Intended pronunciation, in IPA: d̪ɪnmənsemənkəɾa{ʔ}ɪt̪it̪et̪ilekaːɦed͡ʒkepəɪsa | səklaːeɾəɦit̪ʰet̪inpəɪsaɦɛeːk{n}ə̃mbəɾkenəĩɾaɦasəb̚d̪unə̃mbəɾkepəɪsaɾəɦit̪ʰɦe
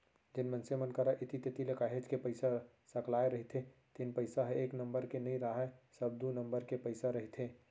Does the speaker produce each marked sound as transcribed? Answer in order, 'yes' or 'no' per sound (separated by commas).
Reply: yes, yes